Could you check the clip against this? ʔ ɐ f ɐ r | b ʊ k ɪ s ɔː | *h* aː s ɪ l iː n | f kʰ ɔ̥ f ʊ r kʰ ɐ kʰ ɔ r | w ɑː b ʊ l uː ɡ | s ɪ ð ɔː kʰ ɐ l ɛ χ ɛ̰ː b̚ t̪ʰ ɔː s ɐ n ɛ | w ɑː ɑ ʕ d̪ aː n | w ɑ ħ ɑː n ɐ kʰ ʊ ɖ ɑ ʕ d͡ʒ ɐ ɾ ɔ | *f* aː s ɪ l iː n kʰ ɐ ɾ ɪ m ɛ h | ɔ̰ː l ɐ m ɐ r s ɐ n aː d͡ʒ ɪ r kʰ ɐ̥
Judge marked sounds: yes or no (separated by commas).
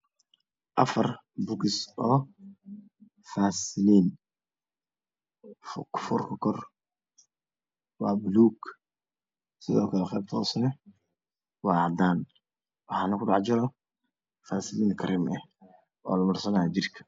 no, yes